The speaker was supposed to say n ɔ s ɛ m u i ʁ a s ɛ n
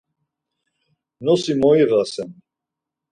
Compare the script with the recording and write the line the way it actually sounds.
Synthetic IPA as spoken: n ɔ s i m ɔ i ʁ a s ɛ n